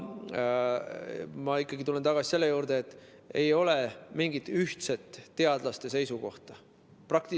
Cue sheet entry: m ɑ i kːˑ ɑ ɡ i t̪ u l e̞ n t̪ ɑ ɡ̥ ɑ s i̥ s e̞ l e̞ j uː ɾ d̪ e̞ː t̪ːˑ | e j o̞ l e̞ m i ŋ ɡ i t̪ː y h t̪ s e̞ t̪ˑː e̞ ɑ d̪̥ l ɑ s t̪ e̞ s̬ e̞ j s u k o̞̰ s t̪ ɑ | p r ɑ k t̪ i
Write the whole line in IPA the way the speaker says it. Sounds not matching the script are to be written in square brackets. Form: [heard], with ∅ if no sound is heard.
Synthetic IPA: m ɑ i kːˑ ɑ ɡ i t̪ u l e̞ n t̪ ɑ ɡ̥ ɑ s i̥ s e̞ [lː] e̞ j uː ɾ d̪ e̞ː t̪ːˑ | e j o̞ l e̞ m i ŋ ɡ i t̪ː y h t̪ s e̞ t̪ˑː e̞ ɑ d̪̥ l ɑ s t̪ e̞ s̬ e̞ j s u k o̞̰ [h] t̪ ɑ | p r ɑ k t̪ i

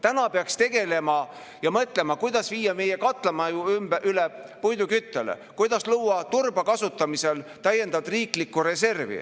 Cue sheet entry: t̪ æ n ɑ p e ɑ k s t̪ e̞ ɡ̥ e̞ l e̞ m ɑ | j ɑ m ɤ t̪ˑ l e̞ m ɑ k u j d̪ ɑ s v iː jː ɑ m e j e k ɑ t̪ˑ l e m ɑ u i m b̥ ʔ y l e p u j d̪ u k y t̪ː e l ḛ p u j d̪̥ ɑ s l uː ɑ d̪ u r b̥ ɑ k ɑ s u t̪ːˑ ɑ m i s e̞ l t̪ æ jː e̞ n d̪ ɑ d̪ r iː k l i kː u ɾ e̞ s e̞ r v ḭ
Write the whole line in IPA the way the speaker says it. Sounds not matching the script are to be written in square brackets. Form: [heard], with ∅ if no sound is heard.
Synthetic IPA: t̪ æ n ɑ p e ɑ k s t̪ e̞ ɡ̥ e̞ l e̞ m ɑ | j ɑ m ɤ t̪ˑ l e̞ m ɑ k u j d̪ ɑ s v iː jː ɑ m e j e k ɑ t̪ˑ l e m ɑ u [y] m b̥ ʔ y l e p u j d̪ u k y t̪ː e l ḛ [k] u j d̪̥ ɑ s l uː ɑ [t̪] u r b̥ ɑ k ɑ s u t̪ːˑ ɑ m i s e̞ l t̪ æ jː e̞ n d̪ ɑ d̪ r iː k l i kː u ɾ e̞ s e̞ r v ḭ

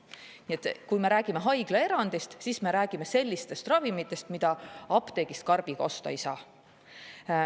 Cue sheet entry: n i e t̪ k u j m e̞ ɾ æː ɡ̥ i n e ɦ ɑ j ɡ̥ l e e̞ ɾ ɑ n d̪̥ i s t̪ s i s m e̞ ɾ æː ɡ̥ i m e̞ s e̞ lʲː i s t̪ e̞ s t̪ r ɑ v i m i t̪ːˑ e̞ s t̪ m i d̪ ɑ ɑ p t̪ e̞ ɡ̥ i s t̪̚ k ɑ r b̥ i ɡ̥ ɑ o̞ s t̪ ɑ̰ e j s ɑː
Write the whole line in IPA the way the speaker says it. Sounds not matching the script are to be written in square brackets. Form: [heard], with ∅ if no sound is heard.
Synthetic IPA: n i e t̪ k u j m e̞ ɾ æː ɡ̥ i [m] e ɦ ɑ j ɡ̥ l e e̞ ɾ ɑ n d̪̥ i s t̪ s i s m e̞ ɾ æː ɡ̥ i m e̞ s e̞ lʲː i s t̪ e̞ s t̪ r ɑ v i m i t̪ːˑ e̞ s t̪ m i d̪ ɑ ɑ p t̪ e̞ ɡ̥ i s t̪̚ k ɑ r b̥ i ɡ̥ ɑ o̞ s t̪ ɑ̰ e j s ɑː

